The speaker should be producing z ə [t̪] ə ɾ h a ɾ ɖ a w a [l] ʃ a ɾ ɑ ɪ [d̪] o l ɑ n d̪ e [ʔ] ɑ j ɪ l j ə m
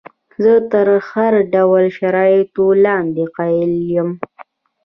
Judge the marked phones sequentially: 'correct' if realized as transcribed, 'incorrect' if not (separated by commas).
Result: correct, correct, incorrect, incorrect